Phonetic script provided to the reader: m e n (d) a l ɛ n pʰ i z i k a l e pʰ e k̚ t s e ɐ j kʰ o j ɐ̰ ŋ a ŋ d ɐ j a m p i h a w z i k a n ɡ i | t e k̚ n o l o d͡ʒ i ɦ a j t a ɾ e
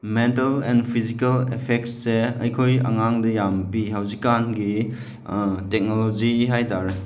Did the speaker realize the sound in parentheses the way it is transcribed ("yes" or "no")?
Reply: no